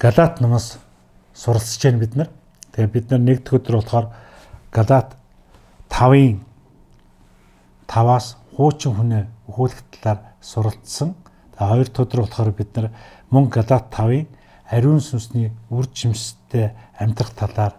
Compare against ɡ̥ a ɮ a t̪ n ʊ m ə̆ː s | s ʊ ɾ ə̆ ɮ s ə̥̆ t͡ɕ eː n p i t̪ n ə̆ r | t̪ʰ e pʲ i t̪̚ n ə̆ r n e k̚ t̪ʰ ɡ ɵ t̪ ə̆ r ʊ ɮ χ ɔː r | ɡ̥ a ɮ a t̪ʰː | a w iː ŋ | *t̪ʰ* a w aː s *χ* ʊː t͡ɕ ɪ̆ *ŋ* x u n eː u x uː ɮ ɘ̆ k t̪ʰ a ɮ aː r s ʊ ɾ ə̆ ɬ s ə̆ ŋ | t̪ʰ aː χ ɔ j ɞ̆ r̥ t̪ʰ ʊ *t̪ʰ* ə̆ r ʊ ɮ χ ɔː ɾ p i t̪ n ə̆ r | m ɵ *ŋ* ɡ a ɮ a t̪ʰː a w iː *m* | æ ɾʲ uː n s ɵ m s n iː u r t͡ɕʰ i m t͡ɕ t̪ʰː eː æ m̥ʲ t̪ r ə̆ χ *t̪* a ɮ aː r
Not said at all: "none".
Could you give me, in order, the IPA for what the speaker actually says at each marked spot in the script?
t̪ʰ, χ, ŋ, t̪, ŋ, ŋ, t̪ʰ

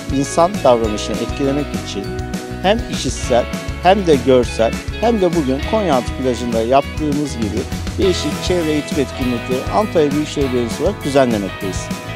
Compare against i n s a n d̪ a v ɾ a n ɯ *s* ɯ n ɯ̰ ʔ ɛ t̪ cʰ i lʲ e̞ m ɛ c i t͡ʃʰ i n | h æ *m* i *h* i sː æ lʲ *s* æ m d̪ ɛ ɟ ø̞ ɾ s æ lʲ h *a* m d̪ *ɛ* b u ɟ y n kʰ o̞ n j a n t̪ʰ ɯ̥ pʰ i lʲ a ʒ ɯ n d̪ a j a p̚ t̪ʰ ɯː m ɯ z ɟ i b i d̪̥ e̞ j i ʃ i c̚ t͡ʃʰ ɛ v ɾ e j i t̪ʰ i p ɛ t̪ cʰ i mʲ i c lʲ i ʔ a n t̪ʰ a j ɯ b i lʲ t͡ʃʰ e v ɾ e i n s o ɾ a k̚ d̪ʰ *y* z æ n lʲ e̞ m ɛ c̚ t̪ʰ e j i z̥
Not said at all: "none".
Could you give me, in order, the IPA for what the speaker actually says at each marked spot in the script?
ʃ, m, ʃ, h, æ, ɛ, y

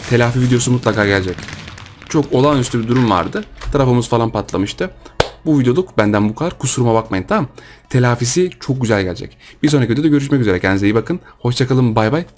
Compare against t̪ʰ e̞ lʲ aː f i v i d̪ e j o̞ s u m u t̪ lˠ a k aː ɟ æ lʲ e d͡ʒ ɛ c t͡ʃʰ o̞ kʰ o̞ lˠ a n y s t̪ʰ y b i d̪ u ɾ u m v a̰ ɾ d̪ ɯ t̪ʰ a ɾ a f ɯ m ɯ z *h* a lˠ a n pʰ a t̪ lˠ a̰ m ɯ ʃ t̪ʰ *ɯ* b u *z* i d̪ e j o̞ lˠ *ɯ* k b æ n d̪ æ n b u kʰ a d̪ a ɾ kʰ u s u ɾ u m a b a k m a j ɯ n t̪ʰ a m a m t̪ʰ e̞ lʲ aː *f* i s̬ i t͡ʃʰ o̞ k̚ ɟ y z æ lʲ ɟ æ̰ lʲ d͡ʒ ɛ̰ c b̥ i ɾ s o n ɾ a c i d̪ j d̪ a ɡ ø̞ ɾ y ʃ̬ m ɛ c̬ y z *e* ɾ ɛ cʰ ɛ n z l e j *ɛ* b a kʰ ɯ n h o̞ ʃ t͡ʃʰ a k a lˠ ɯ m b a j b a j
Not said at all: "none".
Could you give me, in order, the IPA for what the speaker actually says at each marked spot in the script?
f, ɯ, v, u, f, e, i

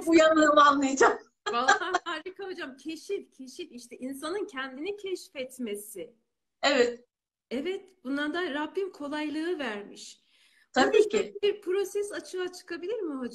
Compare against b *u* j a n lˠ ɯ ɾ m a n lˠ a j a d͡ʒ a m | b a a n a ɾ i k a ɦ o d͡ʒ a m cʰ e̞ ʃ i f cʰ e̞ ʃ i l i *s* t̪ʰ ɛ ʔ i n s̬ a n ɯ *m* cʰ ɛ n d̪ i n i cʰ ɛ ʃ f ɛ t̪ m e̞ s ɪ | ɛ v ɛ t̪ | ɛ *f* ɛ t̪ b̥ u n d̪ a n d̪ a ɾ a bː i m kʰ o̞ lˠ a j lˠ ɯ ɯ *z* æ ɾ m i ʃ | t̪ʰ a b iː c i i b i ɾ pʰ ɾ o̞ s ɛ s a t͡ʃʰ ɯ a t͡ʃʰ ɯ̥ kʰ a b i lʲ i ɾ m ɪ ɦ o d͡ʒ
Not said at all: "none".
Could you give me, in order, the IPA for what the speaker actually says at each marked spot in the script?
u, ʃ, n, v, v

